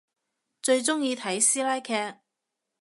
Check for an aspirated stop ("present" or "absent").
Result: present